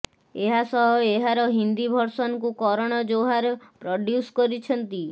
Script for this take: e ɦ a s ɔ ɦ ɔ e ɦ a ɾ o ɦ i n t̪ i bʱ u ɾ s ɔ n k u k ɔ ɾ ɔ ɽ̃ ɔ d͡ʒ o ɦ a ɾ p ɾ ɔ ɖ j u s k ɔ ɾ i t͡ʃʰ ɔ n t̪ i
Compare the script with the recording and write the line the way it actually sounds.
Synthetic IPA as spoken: e ɦ a s ɔ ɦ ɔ e ɦ a ɾ ɔ ɦ i n d̪ i bʱ ɔ ɾ s ɔ n k u k ɔ ɾ ɔ ɽ̃ ɔ d͡ʒ o ɦ a ɾ p ɾ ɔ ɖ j u s k ɔ ɾ i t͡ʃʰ ɔ n t̪ i